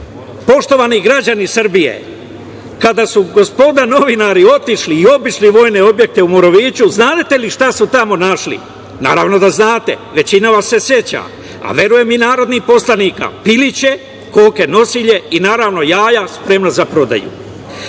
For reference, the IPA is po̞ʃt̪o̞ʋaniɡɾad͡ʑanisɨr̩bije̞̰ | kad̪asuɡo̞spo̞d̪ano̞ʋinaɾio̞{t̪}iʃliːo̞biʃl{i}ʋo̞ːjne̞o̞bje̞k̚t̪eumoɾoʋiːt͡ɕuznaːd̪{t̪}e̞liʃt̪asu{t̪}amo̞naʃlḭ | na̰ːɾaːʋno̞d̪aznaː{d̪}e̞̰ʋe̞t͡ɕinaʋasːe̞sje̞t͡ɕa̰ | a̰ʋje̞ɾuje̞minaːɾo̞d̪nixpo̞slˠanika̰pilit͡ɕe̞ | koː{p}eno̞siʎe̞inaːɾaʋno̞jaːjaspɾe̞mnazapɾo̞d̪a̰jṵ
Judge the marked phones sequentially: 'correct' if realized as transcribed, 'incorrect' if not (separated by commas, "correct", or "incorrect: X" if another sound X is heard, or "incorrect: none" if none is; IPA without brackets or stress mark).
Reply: correct, correct, correct, correct, incorrect: t̪, incorrect: k